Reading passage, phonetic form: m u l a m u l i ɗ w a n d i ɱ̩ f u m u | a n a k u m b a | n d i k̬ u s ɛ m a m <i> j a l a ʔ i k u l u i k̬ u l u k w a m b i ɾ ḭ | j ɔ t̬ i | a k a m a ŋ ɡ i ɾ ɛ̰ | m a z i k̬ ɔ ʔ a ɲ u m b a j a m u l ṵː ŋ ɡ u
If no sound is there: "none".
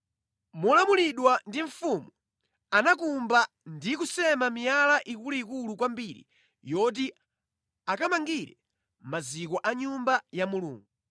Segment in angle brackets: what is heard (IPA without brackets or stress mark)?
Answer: i